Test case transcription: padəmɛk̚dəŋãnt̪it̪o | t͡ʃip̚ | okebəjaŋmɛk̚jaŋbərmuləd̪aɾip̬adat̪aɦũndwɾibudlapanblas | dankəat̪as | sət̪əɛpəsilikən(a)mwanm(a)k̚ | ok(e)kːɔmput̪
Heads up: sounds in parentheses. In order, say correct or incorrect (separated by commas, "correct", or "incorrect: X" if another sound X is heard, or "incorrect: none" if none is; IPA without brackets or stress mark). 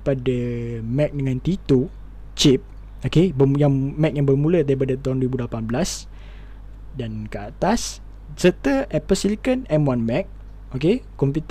incorrect: ɛ, incorrect: ɛ, correct